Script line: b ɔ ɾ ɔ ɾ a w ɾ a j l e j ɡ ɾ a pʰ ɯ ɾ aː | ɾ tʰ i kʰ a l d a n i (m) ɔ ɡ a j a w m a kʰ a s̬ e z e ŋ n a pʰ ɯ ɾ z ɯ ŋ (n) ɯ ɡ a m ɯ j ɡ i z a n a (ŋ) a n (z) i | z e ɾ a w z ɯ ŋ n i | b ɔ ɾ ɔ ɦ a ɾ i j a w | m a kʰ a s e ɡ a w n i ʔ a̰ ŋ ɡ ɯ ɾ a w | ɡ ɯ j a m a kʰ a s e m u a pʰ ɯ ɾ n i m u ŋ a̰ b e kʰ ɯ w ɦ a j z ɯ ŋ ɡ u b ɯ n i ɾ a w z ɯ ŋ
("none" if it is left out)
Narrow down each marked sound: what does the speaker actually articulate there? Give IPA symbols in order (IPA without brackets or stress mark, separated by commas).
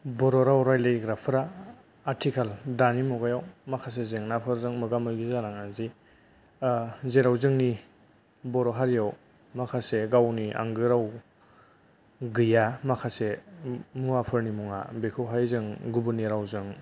m, m, ŋ, z